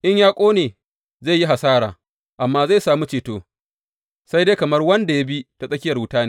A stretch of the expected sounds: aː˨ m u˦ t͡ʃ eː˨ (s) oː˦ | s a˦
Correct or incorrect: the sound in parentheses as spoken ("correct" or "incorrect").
incorrect